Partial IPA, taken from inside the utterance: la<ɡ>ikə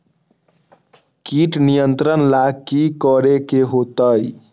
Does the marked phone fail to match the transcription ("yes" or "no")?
yes